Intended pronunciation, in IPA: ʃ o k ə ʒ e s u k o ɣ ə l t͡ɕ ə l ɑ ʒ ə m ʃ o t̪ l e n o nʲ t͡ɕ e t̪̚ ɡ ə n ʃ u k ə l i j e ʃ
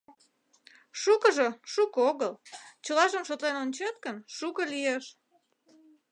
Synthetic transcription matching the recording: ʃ u k ə ʒ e ʃ u k o ɣ ə l t͡ɕ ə l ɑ ʒ ə m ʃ o t̪ l e n o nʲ t͡ɕ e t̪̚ k ə n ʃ u k ə l i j e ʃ